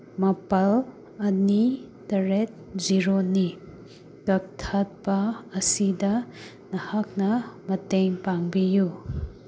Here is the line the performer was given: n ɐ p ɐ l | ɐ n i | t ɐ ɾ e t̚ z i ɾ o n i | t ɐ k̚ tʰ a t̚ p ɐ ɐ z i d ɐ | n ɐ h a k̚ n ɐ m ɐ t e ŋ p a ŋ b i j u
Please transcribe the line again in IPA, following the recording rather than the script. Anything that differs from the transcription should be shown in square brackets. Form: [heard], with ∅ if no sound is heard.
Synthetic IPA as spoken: [m] ɐ p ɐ l | ɐ n i | t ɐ ɾ e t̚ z i ɾ o n i | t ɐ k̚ tʰ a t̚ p ɐ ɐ [s] i d ɐ | n ɐ h a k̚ n ɐ m ɐ t e ŋ p a ŋ b i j u